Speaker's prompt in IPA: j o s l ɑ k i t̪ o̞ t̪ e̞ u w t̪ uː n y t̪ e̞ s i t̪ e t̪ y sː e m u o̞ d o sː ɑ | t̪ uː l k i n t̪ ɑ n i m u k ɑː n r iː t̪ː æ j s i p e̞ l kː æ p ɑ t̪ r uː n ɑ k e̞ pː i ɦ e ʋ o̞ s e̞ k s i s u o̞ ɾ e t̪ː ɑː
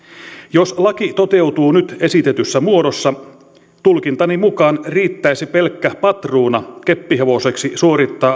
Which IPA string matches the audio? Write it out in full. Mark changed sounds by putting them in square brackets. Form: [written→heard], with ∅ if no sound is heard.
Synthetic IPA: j o s l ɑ k i t̪ o̞ t̪ e̞ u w t̪ uː n y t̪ e̞ s i t̪ e t̪ y sː [e→æ] m u o̞ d o sː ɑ | t̪ [uː→u] l k i n t̪ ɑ n i m u k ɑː n r iː t̪ː æ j s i p e̞ l kː æ p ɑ t̪ r uː n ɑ k e̞ pː i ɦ e ʋ o̞ s e̞ k s i s u o̞ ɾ [e→i] t̪ː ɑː